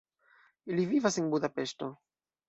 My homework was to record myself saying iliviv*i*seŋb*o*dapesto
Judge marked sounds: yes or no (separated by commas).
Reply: no, no